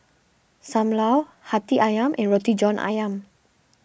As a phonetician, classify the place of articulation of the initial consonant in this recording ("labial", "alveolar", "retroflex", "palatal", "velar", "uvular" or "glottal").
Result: alveolar